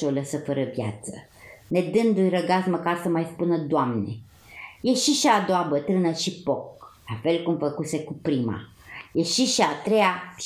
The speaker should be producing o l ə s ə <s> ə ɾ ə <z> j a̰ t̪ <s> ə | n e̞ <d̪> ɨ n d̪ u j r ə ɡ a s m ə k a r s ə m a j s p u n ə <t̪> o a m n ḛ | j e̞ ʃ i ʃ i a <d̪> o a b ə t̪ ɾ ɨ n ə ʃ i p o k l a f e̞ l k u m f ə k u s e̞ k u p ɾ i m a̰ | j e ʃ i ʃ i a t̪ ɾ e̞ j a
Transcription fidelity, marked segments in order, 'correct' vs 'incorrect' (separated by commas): incorrect, incorrect, correct, correct, incorrect, correct